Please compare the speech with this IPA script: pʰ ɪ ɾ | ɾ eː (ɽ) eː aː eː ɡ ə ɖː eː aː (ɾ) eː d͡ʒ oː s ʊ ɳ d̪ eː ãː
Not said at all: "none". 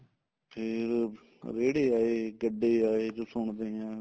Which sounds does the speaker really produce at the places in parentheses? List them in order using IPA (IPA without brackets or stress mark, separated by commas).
ɽ, none